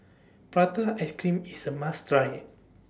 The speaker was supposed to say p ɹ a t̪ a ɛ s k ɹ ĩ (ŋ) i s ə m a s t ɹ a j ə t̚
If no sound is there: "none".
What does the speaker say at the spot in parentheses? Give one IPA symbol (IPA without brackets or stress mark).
m